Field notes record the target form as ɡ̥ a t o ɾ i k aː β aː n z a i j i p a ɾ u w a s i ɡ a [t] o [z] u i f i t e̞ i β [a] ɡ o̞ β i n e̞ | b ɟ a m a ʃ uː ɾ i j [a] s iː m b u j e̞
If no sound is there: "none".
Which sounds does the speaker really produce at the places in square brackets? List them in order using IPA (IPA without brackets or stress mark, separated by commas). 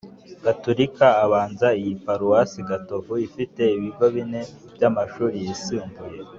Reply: t, v, i, i